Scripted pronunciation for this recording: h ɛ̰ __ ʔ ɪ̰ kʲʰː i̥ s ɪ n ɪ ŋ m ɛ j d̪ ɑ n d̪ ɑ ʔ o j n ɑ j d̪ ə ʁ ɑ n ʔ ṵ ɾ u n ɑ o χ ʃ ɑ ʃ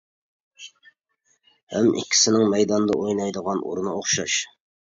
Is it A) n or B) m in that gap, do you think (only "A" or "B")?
B